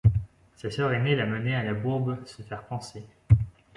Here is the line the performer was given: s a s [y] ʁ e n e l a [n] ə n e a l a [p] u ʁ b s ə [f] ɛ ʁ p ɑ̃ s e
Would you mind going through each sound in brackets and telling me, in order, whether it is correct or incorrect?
incorrect: œ, incorrect: m, incorrect: b, correct

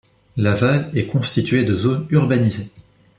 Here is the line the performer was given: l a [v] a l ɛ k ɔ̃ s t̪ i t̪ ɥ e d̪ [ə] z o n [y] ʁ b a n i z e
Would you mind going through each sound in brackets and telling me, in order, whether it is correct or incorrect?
correct, correct, correct

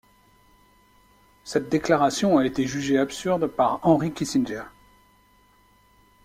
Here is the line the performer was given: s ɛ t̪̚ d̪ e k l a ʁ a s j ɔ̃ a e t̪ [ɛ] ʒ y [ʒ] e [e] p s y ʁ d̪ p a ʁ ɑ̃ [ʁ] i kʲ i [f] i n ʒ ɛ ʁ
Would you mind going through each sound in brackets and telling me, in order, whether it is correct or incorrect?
incorrect: e, correct, incorrect: a, correct, incorrect: s

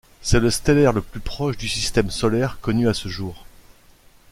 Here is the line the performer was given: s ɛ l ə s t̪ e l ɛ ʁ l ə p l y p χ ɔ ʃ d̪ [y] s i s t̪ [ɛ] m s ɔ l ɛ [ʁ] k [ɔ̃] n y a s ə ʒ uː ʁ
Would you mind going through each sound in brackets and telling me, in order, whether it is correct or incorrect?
correct, correct, correct, incorrect: ɔ

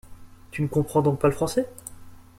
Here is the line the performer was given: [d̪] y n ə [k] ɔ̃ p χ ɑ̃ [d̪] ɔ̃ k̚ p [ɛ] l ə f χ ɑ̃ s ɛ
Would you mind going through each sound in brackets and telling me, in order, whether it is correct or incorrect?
incorrect: t̪, correct, correct, incorrect: a

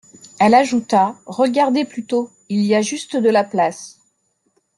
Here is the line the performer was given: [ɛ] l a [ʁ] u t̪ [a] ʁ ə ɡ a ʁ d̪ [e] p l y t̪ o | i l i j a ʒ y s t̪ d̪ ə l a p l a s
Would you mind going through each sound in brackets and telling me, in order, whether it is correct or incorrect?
correct, incorrect: ʒ, correct, correct

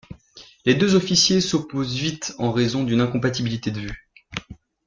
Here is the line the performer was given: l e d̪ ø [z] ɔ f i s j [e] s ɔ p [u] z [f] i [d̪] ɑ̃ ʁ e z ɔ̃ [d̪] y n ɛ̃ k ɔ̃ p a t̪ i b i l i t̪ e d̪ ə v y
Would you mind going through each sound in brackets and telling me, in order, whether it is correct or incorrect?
correct, correct, incorrect: o, incorrect: v, incorrect: t̪, correct

